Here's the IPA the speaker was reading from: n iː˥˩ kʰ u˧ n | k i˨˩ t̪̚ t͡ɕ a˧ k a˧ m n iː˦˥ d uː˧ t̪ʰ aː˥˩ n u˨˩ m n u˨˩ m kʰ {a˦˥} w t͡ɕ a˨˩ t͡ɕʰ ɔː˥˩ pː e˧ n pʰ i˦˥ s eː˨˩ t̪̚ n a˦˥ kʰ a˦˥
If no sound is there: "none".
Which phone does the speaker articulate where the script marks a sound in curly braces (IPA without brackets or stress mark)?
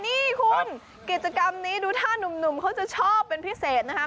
a˦˥